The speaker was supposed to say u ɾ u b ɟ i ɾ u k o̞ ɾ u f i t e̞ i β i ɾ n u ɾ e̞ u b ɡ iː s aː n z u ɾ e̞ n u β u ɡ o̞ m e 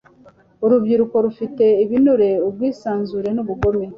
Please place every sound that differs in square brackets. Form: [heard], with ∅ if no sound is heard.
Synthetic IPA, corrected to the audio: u ɾ u b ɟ i ɾ u k o̞ ɾ u f i t e̞ i β i [∅] n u ɾ e̞ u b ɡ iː s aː n z u ɾ e̞ n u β u ɡ o̞ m e